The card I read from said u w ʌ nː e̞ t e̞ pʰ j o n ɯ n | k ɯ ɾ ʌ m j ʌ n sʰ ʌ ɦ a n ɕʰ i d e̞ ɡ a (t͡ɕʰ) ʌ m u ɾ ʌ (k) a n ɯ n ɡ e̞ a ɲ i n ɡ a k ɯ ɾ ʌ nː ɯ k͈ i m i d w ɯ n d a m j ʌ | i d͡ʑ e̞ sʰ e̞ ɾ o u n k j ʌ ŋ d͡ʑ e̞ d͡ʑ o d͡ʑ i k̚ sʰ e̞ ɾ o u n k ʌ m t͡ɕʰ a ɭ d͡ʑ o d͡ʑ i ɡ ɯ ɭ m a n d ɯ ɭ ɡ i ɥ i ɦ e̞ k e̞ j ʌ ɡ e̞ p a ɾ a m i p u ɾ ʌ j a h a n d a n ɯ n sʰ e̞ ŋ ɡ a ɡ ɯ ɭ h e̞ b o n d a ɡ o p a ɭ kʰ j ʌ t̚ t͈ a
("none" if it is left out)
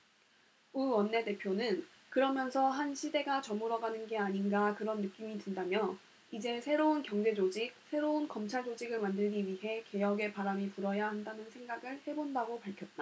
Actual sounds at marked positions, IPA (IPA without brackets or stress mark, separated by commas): t͡ɕ, ɡ